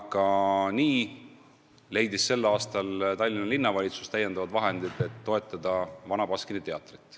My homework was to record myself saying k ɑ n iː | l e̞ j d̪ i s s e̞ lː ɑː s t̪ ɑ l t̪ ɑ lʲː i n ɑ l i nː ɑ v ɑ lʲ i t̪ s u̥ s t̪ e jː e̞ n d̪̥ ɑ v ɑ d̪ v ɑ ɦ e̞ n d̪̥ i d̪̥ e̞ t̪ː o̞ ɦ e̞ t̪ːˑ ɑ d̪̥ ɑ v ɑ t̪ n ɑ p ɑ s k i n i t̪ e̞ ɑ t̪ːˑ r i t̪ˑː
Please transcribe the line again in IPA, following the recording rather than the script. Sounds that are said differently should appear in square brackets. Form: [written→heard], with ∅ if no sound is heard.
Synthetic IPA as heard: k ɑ n iː | l e̞ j d̪ i s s e̞ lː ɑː s t̪ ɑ l t̪ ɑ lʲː i n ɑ l i nː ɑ v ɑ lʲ i t̪ s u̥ s t̪ [e→æ] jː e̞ n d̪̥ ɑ v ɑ d̪ v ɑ ɦ e̞ n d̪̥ i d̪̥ e̞ t̪ː o̞ [ɦ→∅] e̞ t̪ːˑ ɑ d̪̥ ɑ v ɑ [t̪→∅] n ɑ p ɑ s k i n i t̪ e̞ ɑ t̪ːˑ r i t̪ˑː